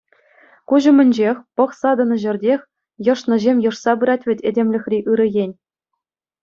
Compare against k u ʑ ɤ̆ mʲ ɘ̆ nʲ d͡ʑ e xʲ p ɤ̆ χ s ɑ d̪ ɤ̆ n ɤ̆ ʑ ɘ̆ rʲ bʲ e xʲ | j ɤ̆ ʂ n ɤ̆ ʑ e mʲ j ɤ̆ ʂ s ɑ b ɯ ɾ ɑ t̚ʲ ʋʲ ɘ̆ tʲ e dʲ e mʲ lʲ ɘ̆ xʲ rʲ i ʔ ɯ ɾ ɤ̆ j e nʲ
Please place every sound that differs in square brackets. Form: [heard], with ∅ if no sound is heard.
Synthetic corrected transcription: k u ʑ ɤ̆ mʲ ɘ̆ nʲ d͡ʑ e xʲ p ɤ̆ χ s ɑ d̪ ɤ̆ n ɤ̆ ʑ ɘ̆ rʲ [dʲ] e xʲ | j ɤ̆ ʂ n ɤ̆ ʑ e mʲ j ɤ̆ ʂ s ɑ b ɯ ɾ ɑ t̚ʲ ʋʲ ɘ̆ tʲ e dʲ e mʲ lʲ ɘ̆ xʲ rʲ i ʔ ɯ ɾ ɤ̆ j e nʲ

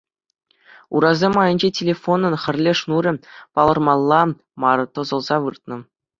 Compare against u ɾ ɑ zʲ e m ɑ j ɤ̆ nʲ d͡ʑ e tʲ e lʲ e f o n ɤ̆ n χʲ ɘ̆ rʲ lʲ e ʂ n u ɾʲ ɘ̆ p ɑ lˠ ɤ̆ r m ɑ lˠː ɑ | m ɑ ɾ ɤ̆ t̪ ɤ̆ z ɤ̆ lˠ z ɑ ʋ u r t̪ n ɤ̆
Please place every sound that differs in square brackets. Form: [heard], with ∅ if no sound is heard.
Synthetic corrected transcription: u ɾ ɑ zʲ e m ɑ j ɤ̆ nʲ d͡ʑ e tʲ e lʲ e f o n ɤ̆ n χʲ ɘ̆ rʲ lʲ e ʂ n u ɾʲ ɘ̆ p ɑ lˠ ɤ̆ r m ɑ lˠː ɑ | m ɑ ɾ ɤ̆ t̪ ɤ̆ z ɤ̆ lˠ z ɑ ʋ [ɯ] r t̪ n ɤ̆

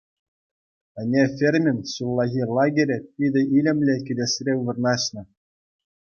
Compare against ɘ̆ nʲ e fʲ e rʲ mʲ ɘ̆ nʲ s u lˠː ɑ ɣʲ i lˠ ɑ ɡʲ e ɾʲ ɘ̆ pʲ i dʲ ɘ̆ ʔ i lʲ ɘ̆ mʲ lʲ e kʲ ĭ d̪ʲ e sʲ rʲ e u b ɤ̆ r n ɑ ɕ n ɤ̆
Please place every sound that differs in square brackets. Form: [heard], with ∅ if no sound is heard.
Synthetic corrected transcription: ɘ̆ nʲ e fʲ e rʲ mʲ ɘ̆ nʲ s u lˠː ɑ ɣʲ i lˠ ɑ ɡʲ e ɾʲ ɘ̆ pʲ i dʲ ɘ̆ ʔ i lʲ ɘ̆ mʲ lʲ e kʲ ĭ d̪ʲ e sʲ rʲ e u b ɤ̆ r n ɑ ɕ n ɤ̆

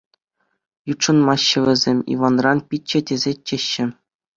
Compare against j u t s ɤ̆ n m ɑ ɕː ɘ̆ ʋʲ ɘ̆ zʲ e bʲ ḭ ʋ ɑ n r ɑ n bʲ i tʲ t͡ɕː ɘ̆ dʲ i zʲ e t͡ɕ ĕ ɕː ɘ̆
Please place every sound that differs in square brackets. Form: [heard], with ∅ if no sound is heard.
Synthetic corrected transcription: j u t [ʂ] ɤ̆ n m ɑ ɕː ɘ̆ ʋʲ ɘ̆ zʲ e [mʲ] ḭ ʋ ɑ n r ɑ n [pʲ] i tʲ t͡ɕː ɘ̆ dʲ [e] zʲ e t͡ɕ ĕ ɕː ɘ̆

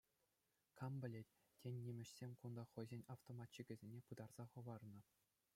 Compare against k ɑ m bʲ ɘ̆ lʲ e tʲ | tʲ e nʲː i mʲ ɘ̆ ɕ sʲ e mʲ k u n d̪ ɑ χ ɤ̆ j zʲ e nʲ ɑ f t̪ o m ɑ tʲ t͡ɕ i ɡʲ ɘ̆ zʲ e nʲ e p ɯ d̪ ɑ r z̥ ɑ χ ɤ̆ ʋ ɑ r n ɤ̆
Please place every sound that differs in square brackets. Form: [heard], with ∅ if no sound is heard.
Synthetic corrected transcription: k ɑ m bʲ ɘ̆ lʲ e tʲ | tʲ e nʲː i mʲ ɘ̆ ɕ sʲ e mʲ k u n d̪ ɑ χ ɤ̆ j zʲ e nʲ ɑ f t̪ o m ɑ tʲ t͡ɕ i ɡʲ ɘ̆ zʲ e nʲ e p ɯ d̪ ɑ r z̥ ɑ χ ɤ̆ ʋ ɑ r n ɤ̆

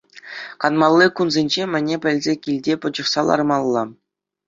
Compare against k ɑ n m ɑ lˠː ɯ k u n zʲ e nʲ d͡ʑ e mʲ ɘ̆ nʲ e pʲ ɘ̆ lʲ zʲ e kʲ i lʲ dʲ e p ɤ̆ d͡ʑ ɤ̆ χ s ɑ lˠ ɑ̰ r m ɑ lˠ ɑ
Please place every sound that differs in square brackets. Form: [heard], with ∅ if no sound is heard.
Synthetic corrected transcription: k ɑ n m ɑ lˠː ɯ k u n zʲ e nʲ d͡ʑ e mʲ ɘ̆ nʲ e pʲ ɘ̆ lʲ zʲ e kʲ i lʲ dʲ e p ɤ̆ d͡ʑ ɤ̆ χ s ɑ lˠ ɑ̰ r m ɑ [lˠː] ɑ

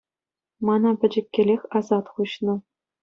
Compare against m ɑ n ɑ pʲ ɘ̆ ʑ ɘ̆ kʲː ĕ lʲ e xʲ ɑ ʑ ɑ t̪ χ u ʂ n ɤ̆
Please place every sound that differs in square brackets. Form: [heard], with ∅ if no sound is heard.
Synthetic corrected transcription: m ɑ n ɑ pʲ ɘ̆ [d͡ʑ] ɘ̆ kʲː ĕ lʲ e xʲ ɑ [z] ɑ t̪ χ u [ɕ] n ɤ̆

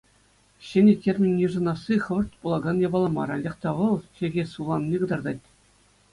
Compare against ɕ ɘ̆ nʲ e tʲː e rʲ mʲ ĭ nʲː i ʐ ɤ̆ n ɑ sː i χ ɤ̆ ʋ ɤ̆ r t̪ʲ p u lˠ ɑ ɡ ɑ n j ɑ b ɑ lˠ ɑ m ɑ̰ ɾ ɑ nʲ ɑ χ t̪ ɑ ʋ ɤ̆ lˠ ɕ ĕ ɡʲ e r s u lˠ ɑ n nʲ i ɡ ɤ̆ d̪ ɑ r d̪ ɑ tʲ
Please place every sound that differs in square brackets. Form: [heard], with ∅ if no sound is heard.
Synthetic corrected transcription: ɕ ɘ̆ nʲ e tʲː e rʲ mʲ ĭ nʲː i ʐ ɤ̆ n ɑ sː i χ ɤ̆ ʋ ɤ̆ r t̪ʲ p u lˠ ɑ ɡ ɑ n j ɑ b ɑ lˠ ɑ m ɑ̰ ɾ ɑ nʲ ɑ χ t̪ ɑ ʋ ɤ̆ lˠ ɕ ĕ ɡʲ e [∅] s u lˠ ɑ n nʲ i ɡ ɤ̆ d̪ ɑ r d̪ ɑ tʲ

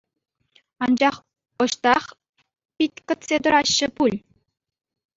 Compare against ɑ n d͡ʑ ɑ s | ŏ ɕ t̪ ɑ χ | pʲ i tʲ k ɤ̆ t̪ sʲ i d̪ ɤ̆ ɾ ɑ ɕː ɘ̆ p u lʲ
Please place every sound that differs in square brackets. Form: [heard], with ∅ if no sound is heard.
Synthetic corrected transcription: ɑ n d͡ʑ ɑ [χ] | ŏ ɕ t̪ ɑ χ | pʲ i tʲ k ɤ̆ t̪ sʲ [e] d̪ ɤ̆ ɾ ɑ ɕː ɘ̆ p u lʲ

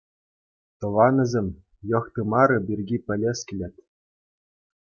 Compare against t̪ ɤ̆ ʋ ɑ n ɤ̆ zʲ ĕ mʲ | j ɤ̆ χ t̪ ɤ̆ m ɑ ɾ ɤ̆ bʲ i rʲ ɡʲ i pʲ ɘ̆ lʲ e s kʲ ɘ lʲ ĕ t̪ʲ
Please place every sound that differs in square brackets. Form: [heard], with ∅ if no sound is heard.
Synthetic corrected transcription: t̪ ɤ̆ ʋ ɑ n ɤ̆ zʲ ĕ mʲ | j ɤ̆ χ t̪ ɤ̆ m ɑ ɾ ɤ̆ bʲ i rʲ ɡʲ i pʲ ɘ̆ lʲ e s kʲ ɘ lʲ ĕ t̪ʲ

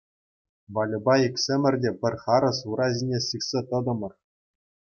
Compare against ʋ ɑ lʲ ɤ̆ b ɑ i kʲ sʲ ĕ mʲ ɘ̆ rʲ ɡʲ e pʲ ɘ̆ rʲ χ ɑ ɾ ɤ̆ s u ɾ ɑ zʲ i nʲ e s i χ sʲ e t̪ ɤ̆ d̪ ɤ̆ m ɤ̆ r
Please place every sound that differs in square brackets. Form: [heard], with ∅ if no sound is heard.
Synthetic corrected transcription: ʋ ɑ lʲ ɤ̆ b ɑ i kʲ sʲ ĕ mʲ ɘ̆ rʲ [dʲ] e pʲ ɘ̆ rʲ χ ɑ ɾ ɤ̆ s u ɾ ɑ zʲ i nʲ e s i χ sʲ e t̪ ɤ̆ d̪ ɤ̆ m ɤ̆ r

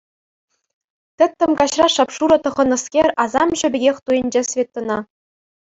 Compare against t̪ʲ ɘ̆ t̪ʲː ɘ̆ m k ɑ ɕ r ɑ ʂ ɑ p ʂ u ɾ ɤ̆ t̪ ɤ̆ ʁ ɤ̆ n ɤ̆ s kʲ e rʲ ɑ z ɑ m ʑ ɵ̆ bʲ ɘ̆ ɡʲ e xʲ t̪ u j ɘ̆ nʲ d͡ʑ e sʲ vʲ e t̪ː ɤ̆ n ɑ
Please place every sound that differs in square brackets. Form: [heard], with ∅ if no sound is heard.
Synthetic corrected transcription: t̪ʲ ɘ̆ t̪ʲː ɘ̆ m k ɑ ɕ r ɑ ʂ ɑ p ʂ u ɾ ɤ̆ t̪ ɤ̆ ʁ ɤ̆ n ɤ̆ s kʲ e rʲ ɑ z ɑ m ʑ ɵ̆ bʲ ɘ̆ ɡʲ e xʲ t̪ u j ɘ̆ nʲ d͡ʑ e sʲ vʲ e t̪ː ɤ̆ n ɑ

